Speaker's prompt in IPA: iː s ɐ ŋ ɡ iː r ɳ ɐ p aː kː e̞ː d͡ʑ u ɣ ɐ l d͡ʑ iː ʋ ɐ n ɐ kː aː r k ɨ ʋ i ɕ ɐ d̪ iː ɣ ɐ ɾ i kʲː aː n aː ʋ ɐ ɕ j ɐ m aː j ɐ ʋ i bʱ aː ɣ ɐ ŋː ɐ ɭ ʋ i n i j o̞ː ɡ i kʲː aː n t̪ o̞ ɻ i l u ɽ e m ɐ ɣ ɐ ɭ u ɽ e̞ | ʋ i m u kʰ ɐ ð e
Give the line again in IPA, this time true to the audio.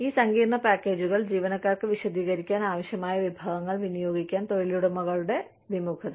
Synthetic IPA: iː s ɐ ŋ ɡ iː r ɳ ɐ p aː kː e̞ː d͡ʑ u ɣ ɐ ɭ d͡ʑ iː ʋ ɐ n ɐ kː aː r k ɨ ʋ i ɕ ɐ d̪ iː ɣ ɐ ɾ i kʲː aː n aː ʋ ɐ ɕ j ɐ m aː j ɐ ʋ i bʱ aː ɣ ɐ ŋː ɐ ɭ ʋ i n i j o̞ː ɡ i kʲː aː n t̪ o̞ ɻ i l u ɽ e m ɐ ɣ ɐ ɭ u ɽ e̞ | ʋ i m u kʰ ɐ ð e